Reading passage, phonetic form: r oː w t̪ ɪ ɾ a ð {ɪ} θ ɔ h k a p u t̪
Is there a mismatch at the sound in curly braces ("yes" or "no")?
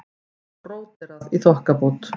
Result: yes